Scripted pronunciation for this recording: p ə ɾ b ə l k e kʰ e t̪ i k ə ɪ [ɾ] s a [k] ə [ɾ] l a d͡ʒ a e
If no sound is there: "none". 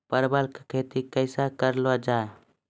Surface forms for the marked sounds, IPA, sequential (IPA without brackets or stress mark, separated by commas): none, k, ɾ